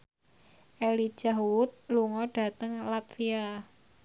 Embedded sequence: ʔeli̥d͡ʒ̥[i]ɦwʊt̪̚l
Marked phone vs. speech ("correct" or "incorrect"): incorrect